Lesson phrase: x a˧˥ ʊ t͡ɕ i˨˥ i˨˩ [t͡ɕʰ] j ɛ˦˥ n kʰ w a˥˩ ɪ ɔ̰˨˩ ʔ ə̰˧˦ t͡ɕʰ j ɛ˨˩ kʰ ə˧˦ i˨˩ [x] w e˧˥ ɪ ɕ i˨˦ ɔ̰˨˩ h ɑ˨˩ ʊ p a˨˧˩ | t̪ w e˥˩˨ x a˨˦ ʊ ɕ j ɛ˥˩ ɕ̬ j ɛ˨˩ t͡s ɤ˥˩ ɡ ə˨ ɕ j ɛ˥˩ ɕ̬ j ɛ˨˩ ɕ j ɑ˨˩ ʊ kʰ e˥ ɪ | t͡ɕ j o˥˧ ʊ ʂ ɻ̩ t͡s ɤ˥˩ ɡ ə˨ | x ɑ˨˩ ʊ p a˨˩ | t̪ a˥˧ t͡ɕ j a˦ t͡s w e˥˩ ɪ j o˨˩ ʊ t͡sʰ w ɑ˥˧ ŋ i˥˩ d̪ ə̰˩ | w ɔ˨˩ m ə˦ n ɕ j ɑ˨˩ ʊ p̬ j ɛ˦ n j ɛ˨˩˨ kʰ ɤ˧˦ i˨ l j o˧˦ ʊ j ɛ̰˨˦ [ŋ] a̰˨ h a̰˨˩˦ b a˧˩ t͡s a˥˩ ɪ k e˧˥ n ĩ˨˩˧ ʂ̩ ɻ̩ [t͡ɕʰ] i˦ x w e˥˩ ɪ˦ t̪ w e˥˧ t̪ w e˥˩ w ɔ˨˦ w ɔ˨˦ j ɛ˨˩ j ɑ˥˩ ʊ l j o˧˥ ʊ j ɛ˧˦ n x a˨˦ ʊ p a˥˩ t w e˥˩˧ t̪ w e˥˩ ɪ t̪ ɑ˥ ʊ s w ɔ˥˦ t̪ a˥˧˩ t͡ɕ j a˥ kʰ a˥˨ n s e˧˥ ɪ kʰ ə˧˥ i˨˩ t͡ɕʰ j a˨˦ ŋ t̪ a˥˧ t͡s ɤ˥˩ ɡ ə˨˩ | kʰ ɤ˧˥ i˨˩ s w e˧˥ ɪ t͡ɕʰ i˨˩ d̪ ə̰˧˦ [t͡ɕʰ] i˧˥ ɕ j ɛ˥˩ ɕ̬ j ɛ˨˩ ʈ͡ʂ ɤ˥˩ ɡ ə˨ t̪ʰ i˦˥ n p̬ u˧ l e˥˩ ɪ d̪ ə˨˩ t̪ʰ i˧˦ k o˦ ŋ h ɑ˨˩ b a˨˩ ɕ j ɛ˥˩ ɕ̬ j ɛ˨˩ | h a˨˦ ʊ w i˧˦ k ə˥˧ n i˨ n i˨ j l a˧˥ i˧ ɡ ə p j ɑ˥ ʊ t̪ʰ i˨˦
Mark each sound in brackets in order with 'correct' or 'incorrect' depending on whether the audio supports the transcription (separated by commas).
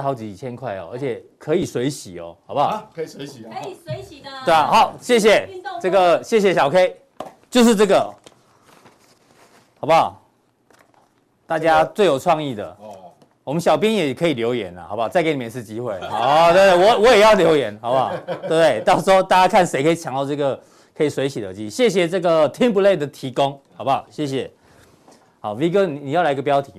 correct, incorrect, incorrect, incorrect, incorrect